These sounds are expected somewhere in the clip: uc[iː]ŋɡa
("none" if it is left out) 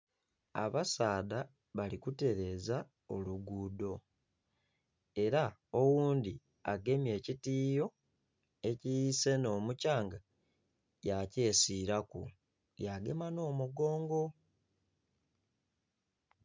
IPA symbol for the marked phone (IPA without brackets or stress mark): aː